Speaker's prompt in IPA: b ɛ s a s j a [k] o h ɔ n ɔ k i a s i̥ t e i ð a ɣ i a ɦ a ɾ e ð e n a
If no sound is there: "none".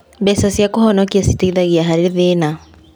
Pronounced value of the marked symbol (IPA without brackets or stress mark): k